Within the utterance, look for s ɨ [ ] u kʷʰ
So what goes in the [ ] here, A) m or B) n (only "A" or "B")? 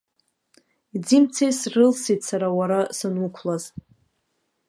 B